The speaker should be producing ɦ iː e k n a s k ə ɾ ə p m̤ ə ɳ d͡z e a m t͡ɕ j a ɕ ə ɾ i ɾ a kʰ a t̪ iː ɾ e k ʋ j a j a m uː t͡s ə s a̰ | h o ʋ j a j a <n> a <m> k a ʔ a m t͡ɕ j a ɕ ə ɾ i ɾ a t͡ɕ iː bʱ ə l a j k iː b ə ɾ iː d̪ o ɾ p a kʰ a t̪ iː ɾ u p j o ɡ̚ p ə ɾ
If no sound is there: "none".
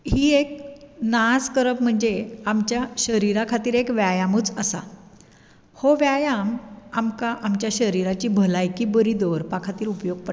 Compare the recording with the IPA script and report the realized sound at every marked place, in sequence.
m, m

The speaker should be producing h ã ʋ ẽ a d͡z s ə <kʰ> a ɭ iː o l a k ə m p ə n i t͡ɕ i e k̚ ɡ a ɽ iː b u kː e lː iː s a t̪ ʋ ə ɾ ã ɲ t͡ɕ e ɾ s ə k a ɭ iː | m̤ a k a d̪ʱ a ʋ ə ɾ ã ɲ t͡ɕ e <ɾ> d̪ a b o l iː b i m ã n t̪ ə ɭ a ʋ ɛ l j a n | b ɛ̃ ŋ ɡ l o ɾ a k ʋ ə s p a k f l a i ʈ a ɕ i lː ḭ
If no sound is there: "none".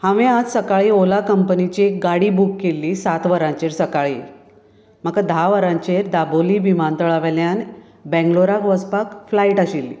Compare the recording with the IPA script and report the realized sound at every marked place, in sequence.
k, ɾ

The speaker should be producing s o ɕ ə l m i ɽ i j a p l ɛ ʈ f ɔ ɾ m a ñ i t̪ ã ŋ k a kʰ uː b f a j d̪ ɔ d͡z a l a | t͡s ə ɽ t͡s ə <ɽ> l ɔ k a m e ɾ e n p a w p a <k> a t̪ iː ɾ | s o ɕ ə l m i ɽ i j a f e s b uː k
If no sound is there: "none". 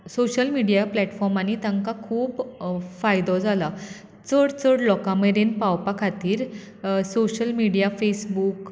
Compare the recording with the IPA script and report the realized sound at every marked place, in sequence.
ɽ, kʰ

